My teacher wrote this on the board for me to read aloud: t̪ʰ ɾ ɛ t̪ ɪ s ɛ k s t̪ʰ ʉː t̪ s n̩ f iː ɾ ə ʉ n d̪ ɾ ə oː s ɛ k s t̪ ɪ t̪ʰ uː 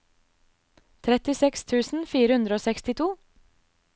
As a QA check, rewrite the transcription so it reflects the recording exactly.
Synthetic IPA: t̪ʰ ɾ ɛ t̪ ɪ s ɛ k s t̪ʰ ʉː s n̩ f iː ɾ ə ʉ n d̪ ɾ ə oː s ɛ k s t̪ ɪ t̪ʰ uː